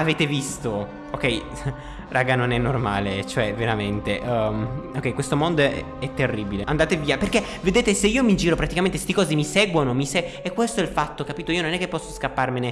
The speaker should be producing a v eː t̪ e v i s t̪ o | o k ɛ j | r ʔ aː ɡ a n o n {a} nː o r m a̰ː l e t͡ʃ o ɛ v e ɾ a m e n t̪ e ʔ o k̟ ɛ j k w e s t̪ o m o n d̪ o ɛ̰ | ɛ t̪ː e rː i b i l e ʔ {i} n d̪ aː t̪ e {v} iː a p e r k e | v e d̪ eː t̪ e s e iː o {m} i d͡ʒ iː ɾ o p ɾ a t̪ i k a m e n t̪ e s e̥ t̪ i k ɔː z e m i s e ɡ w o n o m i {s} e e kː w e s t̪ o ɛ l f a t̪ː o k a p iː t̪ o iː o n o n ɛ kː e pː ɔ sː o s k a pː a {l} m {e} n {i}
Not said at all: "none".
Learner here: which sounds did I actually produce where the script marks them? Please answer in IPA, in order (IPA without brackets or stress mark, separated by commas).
ɛ, a, v, m, s, r, e, e